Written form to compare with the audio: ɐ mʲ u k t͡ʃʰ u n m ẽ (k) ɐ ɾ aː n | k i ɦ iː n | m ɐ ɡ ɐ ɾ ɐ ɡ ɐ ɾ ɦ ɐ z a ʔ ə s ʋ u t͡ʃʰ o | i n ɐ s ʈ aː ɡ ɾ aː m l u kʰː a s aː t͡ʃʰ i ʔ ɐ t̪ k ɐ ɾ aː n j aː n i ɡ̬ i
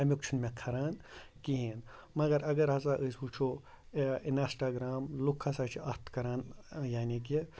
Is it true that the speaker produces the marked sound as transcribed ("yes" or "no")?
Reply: no